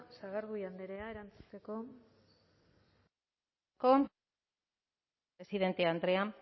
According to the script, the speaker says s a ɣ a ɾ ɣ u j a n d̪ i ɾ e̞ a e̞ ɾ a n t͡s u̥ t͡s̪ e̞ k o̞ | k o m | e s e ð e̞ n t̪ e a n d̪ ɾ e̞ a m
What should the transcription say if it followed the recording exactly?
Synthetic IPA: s a ɣ a ɾ ɣ u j a n d̪ e ɾ e̞ a e̞ ɾ a n t͡s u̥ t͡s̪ e̞ k o̞ | k o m | e s i ð e̞ n t̪ e a n d̪ ɾ e̞ a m